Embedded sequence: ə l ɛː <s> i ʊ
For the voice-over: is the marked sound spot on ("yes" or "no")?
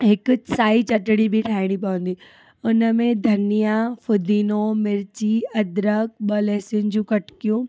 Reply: yes